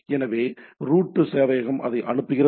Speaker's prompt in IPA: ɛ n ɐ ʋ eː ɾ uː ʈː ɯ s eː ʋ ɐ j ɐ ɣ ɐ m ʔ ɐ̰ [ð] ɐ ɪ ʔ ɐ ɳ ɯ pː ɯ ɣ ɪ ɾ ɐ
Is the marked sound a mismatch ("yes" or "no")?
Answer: no